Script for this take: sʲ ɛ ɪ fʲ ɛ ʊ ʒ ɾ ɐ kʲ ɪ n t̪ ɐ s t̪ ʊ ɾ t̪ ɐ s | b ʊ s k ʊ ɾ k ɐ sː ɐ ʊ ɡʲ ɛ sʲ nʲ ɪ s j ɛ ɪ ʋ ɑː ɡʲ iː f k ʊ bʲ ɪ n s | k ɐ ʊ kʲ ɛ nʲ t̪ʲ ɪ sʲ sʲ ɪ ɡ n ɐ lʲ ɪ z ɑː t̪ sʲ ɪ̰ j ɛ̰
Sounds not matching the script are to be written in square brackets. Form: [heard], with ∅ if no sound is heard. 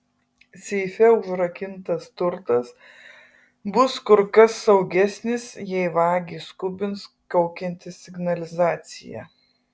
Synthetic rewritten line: sʲ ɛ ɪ fʲ ɛ ʊ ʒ ɾ ɐ kʲ ɪ n t̪ ɐ s t̪ ʊ ɾ t̪ ɐ s | b ʊ s k ʊ ɾ k ɐ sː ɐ ʊ ɡʲ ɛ sʲ nʲ ɪ s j ɛ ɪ ʋ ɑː ɡʲ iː [s] k ʊ bʲ ɪ n s | k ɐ ʊ kʲ ɛ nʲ t̪ʲ ɪ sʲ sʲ ɪ ɡ n ɐ lʲ ɪ z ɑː t̪ sʲ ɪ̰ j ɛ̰